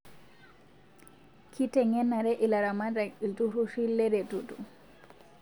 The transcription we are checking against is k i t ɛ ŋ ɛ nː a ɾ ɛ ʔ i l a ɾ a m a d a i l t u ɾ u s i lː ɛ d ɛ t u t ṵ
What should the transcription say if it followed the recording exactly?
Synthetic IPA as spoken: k i t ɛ ŋ ɛ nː a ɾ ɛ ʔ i l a ɾ a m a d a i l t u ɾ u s i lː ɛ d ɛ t u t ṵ